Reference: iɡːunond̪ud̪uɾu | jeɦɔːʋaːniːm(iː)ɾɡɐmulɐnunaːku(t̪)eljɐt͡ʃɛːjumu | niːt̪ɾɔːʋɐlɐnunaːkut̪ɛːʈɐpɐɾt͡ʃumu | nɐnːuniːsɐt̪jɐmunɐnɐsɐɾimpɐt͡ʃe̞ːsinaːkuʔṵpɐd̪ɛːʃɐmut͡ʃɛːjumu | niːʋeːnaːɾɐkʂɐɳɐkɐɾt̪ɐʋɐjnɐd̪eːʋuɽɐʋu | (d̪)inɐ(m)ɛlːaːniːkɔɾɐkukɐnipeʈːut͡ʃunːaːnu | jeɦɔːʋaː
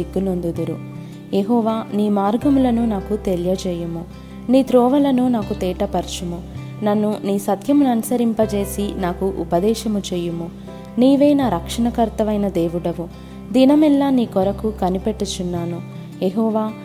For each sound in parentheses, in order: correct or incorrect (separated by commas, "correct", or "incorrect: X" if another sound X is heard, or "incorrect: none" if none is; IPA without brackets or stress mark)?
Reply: incorrect: aː, correct, correct, correct